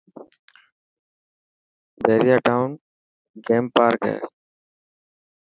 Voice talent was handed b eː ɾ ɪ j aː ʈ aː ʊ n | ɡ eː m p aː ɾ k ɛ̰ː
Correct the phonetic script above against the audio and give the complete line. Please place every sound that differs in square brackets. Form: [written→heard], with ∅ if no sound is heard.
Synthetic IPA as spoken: b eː ɾ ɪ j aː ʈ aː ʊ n | ɡ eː m p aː ɾ k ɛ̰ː